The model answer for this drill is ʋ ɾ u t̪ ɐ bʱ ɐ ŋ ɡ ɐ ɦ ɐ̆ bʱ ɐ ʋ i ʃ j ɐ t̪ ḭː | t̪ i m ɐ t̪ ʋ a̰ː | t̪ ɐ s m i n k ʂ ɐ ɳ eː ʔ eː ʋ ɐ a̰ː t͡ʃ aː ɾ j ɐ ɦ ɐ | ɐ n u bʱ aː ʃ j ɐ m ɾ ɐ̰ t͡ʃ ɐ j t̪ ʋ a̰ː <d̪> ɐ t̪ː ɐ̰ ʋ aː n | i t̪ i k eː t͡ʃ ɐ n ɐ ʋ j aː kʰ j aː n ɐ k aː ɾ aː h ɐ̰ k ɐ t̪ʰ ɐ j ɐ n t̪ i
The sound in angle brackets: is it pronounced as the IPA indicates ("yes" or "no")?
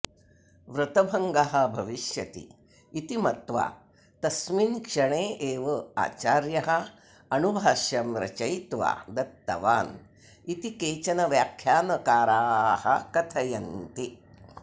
yes